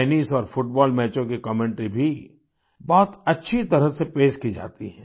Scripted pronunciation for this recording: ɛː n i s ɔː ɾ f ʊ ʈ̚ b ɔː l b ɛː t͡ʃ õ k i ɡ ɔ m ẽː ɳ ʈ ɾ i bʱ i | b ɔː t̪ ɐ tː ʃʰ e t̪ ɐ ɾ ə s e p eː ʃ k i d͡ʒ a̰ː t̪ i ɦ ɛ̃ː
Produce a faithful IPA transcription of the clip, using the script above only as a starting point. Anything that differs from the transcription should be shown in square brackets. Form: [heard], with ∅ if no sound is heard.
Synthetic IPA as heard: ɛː n i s ɔː ɾ f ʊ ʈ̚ b ɔː l [m] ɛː t͡ʃ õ k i [k] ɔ m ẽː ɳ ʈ ɾ i bʱ i | b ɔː t̪ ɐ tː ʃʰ [i] t̪ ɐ ɾ ə s e p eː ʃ k i d͡ʒ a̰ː t̪ i ɦ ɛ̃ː